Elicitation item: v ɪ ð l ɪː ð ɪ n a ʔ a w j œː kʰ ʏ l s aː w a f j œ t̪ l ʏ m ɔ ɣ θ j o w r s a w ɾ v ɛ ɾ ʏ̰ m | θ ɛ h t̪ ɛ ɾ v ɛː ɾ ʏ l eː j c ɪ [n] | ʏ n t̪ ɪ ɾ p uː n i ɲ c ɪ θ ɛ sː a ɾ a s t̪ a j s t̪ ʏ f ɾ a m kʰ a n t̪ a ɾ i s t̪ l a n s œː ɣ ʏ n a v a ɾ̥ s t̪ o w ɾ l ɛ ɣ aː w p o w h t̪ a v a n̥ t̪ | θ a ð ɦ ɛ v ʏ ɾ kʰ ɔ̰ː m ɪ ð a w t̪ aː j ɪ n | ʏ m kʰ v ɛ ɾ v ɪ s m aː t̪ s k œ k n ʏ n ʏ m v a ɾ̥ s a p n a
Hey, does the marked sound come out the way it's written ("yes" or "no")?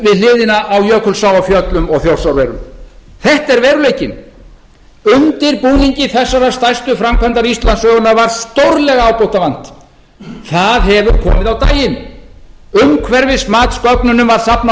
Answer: yes